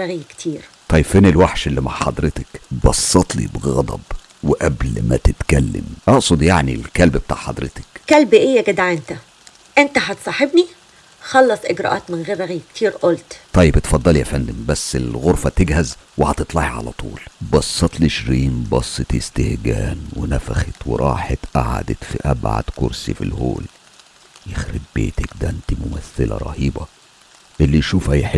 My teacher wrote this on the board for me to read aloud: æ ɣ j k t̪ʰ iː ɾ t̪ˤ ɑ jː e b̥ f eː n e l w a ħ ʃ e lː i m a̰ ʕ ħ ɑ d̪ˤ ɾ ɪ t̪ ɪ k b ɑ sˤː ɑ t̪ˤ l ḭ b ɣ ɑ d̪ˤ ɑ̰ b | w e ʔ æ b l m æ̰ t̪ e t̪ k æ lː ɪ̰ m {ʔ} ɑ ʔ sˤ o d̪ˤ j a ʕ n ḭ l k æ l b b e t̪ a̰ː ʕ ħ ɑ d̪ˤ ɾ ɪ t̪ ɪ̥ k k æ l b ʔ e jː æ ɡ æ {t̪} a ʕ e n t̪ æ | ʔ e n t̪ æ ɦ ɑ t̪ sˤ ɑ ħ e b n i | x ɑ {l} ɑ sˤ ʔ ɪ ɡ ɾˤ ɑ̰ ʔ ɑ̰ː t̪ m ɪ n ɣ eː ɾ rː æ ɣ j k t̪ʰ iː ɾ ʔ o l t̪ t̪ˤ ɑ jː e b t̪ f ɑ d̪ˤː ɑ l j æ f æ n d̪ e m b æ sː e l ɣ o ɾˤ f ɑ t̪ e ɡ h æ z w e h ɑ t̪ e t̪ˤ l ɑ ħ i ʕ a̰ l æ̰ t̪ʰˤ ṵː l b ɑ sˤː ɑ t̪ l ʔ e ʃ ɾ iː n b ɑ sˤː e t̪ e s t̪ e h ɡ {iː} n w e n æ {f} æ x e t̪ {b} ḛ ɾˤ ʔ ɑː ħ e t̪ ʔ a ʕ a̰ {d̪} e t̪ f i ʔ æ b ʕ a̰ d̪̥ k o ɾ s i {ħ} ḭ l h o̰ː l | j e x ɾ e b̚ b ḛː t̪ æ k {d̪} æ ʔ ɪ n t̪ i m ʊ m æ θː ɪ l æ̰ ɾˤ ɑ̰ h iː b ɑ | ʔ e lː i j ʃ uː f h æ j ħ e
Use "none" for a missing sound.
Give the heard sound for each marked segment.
ʔ, d̪, lː, æː, f, w, d̪, f, d̪

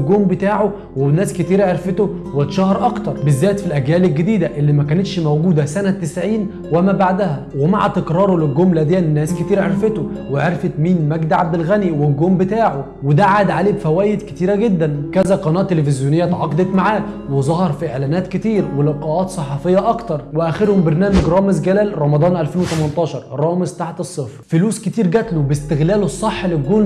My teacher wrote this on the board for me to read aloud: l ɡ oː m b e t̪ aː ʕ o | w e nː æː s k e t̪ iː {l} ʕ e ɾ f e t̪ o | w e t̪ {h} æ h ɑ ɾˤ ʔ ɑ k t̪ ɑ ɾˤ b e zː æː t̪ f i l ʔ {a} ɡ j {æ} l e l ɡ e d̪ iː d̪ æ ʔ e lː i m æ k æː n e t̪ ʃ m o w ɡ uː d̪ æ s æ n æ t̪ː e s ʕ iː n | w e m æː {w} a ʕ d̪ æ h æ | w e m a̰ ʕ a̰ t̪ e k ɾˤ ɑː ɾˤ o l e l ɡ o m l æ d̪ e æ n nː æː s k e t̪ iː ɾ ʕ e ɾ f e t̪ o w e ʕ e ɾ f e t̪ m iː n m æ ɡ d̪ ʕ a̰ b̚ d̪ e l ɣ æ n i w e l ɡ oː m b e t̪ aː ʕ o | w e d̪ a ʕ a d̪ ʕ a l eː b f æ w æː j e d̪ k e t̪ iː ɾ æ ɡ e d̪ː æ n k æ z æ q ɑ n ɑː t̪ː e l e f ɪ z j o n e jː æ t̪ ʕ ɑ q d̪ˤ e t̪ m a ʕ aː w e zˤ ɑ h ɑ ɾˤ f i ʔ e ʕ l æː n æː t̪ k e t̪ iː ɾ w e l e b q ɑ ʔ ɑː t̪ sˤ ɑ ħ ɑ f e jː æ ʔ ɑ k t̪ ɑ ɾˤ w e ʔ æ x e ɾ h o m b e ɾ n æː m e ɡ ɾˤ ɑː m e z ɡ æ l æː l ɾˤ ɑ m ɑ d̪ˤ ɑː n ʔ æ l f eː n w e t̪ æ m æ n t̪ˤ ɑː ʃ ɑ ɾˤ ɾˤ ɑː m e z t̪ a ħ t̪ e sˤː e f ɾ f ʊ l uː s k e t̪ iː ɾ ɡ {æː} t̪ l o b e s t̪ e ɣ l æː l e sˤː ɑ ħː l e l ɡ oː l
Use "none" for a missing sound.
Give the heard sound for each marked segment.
ɾ, ʃ, æ, æː, b, æ

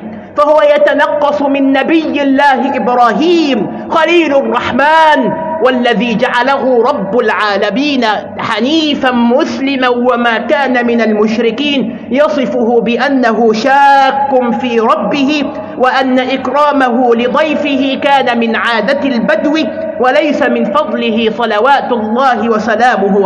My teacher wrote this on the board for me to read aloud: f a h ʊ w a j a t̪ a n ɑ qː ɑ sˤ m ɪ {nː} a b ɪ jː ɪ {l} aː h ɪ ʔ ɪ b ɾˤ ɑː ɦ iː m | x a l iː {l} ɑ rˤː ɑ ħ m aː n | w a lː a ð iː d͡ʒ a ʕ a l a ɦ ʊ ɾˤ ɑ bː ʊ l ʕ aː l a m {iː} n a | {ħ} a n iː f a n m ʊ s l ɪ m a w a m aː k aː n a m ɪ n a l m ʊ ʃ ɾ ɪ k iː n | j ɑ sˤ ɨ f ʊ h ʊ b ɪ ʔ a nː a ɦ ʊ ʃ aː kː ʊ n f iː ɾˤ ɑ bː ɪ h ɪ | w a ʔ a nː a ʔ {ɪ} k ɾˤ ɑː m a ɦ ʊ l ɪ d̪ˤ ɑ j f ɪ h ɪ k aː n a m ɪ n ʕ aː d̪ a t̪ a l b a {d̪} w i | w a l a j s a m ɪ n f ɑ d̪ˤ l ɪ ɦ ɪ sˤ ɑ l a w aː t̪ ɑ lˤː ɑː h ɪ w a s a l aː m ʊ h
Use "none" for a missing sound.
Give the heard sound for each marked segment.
nː, lː, l, iː, ħ, ɪ, d̪

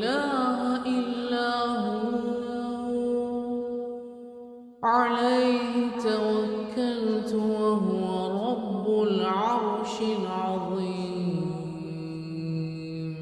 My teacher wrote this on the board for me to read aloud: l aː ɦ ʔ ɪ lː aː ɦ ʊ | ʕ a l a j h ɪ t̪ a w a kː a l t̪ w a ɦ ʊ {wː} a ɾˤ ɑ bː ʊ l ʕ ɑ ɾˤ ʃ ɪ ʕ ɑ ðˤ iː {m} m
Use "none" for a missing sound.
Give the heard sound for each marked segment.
w, m

